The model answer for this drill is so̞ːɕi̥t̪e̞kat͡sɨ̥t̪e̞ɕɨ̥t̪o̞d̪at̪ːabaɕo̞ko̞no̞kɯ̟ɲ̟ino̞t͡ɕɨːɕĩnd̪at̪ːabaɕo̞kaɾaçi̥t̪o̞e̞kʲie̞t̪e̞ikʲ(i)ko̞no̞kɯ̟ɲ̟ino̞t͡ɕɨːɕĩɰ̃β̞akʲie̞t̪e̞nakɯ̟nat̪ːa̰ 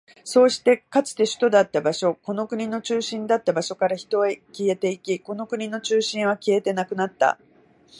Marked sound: correct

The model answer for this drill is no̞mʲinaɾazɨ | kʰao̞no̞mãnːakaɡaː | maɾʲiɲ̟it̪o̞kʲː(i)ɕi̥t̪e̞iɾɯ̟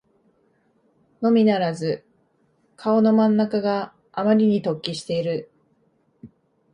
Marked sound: correct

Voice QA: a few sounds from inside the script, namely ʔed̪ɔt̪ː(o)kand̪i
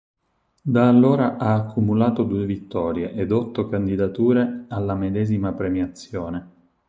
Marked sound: correct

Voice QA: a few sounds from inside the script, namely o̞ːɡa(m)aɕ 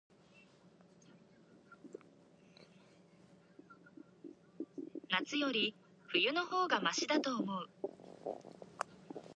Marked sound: correct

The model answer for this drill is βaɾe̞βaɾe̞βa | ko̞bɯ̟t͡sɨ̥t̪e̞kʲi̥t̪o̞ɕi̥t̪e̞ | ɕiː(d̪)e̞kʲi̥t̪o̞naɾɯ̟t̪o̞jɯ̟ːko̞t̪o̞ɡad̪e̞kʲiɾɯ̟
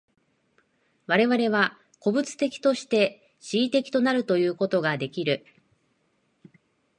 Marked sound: incorrect: t̪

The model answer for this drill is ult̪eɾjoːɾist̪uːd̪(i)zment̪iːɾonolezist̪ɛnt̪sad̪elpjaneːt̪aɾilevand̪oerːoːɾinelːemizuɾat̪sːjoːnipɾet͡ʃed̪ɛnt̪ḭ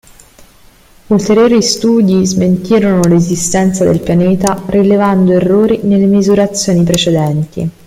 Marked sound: correct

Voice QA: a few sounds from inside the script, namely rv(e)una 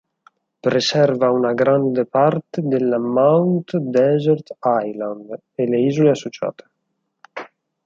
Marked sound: incorrect: a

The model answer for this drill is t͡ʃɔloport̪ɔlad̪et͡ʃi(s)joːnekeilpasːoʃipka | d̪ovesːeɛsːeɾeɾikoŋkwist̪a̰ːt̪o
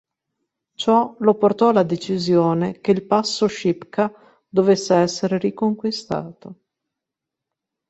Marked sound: incorrect: z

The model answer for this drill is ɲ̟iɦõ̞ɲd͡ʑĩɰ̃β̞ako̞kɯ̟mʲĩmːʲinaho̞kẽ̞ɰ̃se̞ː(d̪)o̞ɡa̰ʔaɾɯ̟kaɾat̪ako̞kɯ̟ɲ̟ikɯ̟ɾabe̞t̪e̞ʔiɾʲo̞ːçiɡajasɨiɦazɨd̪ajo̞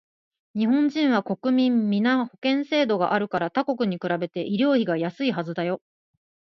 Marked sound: correct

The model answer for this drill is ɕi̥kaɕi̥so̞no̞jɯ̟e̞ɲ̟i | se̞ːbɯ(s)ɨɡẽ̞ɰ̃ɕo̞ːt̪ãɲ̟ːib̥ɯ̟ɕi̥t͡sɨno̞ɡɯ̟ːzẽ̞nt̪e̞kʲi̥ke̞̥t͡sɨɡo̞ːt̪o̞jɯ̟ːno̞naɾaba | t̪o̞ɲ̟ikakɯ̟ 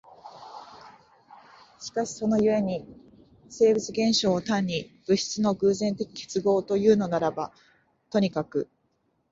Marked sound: incorrect: t͡s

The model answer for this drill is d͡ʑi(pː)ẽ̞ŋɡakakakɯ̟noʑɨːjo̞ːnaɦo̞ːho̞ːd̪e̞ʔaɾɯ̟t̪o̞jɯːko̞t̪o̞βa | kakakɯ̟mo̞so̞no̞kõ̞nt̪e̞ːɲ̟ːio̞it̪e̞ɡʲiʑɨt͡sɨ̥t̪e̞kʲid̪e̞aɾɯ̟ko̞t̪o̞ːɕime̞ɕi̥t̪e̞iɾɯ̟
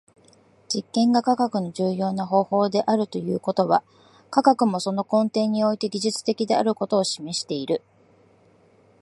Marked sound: incorrect: kː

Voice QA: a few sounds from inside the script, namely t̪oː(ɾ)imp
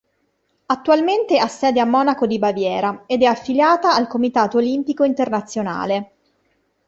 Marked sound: incorrect: l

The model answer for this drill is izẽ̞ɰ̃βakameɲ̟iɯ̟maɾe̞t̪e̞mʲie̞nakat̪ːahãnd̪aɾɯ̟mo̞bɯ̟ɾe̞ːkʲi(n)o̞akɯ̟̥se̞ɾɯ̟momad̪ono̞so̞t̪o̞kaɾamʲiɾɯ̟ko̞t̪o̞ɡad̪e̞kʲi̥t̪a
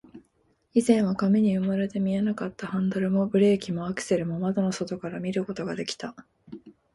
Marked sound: incorrect: m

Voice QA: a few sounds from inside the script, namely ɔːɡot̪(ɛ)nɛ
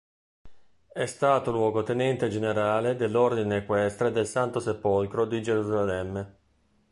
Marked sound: incorrect: e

